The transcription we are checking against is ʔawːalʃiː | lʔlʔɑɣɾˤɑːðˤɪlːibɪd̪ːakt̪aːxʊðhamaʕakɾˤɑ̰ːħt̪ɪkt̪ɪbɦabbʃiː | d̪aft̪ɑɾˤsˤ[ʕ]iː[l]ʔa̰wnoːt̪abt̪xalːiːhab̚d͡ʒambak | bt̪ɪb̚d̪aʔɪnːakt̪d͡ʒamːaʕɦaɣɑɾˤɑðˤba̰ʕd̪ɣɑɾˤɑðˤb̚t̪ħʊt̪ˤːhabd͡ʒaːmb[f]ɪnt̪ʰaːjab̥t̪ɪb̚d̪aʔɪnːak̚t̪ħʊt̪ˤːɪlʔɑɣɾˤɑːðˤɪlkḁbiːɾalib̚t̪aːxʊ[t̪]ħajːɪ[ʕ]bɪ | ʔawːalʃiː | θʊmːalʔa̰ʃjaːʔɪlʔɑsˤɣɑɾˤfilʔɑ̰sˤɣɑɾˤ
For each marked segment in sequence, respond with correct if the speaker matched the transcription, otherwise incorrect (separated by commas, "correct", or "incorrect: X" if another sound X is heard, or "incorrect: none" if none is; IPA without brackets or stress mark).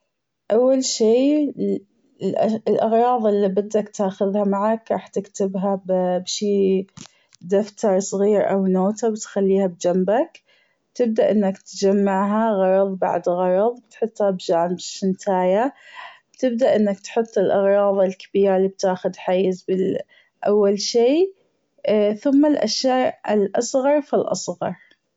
incorrect: ɣ, incorrect: ɾ, incorrect: ʃ, incorrect: d̪, incorrect: z